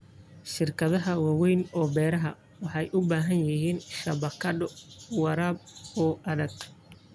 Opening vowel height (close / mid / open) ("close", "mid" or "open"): close